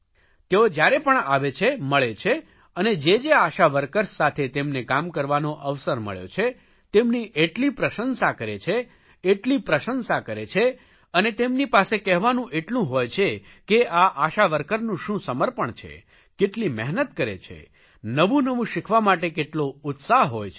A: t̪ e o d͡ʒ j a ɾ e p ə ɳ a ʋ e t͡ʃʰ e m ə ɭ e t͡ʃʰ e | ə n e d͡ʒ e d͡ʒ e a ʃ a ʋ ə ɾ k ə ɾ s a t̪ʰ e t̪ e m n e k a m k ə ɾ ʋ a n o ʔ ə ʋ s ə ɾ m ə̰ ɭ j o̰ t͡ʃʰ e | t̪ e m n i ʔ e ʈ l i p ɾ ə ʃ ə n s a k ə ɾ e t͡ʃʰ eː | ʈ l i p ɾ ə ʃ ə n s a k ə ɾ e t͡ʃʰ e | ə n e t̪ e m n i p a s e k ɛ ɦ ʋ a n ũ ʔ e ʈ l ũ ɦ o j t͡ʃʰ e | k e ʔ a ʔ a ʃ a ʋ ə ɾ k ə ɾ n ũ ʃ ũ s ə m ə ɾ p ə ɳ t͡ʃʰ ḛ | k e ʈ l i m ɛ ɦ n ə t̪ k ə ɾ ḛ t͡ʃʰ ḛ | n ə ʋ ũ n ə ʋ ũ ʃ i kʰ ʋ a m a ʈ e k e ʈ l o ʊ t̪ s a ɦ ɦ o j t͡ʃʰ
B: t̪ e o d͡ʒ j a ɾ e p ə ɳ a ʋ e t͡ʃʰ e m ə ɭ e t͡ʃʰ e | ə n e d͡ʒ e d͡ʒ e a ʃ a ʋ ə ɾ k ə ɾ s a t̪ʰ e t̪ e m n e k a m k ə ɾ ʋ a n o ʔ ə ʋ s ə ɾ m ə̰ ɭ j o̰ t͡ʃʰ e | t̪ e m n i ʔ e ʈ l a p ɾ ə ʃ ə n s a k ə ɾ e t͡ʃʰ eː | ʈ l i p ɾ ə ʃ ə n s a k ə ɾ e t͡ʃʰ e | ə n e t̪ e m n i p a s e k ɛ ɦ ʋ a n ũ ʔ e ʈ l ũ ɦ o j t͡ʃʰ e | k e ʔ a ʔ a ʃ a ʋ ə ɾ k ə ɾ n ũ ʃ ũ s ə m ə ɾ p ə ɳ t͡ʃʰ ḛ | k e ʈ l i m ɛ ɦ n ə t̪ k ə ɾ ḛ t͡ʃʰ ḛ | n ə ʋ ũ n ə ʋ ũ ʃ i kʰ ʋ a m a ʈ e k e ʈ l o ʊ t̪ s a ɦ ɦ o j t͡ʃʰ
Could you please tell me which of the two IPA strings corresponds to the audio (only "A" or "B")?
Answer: A